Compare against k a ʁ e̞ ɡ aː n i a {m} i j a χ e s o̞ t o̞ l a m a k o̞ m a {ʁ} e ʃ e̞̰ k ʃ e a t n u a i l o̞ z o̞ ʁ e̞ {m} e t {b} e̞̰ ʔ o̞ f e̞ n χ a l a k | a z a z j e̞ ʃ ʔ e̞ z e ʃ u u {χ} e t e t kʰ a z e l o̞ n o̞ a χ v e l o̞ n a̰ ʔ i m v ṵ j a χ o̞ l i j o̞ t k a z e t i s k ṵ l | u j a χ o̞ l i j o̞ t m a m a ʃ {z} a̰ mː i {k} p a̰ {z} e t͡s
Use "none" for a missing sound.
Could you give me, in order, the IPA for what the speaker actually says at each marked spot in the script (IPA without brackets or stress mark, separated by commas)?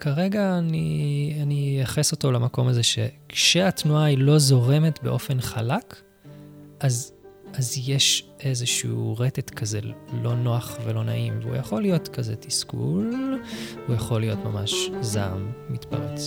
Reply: n, z, m, b, ʁ, z, t, ʁ